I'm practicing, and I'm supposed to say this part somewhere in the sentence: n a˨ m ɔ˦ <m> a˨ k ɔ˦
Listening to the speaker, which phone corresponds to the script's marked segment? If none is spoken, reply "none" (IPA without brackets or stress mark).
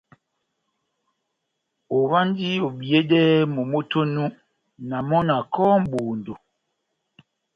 n